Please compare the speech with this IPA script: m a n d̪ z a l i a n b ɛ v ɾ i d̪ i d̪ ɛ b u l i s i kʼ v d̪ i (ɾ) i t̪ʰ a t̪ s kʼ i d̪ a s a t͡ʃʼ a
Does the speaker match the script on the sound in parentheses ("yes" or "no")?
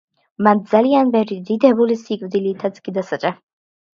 no